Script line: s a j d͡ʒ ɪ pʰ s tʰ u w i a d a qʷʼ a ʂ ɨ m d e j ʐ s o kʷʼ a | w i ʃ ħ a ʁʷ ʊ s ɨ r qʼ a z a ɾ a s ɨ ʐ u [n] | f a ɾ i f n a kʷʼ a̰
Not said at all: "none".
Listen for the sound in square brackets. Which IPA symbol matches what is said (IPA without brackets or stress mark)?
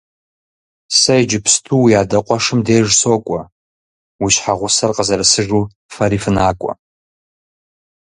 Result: none